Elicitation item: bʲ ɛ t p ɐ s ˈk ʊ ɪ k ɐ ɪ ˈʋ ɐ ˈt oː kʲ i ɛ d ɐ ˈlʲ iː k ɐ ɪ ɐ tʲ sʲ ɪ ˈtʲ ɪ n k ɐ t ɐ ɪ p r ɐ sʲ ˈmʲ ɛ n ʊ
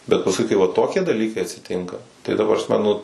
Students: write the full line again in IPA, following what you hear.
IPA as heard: bʲ ɛ t p ɐ s ˈk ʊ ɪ k ɐ ɪ ˈʋ ɐ ˈt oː kʲ i ɛ d ɐ ˈlʲ iː k ɐ ɪ ɐ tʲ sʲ ɪ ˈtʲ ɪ ŋ k ɐ t ɐ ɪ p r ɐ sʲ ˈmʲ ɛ n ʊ

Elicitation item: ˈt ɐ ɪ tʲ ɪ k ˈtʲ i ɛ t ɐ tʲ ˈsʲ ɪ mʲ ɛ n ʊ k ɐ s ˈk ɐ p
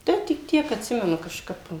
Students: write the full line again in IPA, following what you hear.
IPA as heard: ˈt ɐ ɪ tʲ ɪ k ˈtʲ i ɛ k ɐ tʲ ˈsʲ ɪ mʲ ɛ n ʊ k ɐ ʃ ˈk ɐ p

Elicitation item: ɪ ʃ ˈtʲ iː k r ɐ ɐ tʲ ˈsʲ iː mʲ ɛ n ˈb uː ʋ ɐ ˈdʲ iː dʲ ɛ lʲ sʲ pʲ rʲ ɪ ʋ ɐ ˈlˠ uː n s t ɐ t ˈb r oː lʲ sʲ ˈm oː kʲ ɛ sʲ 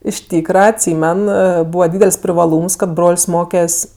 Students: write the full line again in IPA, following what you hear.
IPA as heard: ɪ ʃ ˈtʲ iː k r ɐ ɐ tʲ ˈsʲ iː mʲ ɛ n ˈb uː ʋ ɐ ˈdʲ iː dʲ ɛ lʲ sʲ pʲ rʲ ɪ ʋ ɐ ˈlˠ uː m s k ɐ t ˈb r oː lʲ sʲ ˈm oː kʲ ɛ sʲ

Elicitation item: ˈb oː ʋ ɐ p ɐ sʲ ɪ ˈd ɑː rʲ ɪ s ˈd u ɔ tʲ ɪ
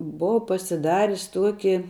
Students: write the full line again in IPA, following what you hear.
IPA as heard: ˈb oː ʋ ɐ p ɐ sʲ ɪ ˈd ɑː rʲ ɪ s ˈt u ɔ kʲ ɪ

